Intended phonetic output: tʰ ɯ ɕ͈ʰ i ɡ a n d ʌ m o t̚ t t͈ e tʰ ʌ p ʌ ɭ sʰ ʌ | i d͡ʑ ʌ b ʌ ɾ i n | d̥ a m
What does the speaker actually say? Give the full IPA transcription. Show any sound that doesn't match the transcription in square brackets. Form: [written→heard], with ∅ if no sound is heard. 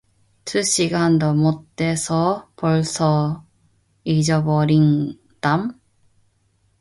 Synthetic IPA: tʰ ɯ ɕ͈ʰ i ɡ a n d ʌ m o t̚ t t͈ e [tʰ→sʰ] ʌ p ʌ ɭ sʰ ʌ | i d͡ʑ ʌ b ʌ ɾ i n | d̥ a m